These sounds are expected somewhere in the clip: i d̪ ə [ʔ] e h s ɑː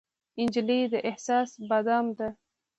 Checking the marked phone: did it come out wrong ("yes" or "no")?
no